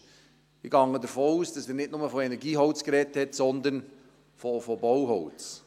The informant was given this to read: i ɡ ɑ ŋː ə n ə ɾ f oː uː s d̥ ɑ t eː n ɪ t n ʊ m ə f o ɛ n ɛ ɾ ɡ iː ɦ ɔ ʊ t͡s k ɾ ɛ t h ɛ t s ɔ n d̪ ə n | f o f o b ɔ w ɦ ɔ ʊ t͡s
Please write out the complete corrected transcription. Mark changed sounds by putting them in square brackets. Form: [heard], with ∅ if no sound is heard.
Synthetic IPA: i ɡ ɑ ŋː ə [d] ə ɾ f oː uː s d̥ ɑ [s] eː n ɪ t n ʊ m ə f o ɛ n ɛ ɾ ɡ iː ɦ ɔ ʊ t͡s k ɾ ɛ t h ɛ t s ɔ n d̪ ə n | f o f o b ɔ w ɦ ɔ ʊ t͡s